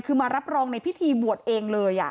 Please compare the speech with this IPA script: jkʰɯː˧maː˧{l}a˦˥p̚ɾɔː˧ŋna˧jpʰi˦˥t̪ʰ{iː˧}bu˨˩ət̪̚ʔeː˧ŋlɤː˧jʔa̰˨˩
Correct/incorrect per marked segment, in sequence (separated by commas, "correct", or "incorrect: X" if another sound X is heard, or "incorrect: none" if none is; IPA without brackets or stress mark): incorrect: ɾ, correct